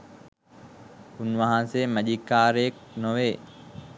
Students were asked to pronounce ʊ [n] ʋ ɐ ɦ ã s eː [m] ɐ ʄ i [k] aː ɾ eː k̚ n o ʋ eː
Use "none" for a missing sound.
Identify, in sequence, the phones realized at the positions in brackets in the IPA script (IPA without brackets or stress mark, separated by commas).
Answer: n, m, k